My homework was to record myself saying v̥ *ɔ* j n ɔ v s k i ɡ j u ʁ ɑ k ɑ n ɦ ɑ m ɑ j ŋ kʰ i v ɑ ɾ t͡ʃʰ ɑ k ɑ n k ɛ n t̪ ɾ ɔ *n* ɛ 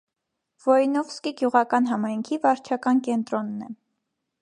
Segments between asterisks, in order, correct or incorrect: correct, incorrect

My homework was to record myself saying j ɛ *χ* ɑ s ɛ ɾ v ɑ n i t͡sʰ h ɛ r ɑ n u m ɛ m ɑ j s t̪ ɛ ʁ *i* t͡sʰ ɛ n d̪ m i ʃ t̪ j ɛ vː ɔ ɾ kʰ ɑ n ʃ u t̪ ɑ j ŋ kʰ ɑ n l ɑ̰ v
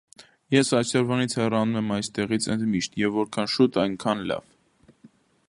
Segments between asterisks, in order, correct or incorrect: incorrect, correct

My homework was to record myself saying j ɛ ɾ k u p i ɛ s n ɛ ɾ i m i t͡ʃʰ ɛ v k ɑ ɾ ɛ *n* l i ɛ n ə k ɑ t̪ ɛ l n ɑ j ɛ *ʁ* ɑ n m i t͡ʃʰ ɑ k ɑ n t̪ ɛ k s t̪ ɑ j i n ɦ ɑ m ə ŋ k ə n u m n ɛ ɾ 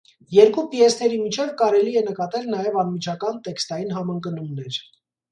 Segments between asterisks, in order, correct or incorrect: incorrect, incorrect

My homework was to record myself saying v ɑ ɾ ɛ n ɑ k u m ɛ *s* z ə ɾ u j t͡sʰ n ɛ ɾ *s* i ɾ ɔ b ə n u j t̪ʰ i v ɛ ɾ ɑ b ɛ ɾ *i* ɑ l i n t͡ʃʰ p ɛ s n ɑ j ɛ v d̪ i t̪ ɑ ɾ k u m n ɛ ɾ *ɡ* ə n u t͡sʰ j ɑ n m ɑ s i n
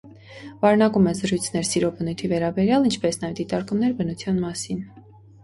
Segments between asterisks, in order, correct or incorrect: incorrect, correct, incorrect, incorrect

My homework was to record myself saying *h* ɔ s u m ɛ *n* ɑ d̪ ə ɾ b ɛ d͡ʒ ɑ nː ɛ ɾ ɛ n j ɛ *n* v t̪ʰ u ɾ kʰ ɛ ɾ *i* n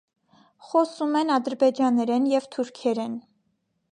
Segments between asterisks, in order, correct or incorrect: incorrect, correct, incorrect, incorrect

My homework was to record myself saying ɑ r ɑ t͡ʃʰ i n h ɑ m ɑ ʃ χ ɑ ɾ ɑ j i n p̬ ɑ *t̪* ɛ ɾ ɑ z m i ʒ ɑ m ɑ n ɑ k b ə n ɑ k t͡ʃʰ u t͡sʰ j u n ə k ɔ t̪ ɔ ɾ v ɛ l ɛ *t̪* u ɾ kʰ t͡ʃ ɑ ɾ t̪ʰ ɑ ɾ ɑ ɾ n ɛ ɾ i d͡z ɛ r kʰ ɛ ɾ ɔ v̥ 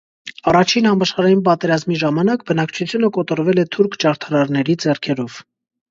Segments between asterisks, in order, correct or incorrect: correct, incorrect

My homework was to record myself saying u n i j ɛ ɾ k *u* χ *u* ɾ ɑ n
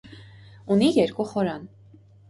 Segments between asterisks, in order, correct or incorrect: correct, incorrect

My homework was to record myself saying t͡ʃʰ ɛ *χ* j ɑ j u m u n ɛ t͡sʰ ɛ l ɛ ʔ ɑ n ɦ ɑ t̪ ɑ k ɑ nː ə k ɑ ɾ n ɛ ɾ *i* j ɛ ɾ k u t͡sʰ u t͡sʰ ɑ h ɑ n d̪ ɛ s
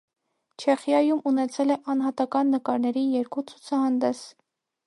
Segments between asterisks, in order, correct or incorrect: correct, correct

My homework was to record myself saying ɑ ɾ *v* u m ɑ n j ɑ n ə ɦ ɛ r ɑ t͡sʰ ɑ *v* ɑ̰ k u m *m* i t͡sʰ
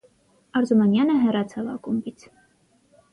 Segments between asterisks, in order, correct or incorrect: incorrect, correct, incorrect

